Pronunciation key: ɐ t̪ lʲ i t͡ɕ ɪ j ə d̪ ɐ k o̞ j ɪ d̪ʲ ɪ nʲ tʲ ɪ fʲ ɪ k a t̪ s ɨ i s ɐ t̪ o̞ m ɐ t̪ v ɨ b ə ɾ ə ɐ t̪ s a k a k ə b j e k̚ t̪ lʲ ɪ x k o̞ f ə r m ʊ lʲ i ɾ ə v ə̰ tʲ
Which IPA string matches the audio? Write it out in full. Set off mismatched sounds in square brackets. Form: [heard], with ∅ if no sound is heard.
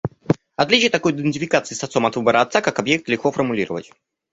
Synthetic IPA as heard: ɐ t̪ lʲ i t͡ɕ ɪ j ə [t̪] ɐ k o̞ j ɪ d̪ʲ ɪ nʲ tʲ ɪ fʲ ɪ k a t̪ s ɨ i s ɐ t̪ o̞ m ɐ t̪ v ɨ b ə ɾ ə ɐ t̪ s a k a k [ɐ] b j e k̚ t̪ lʲ ɪ x k o̞ f ə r m ʊ lʲ i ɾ ə v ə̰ tʲ